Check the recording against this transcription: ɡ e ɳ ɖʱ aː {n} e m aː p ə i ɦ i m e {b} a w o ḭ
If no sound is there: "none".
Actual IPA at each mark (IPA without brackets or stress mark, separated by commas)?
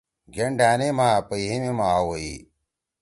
n, m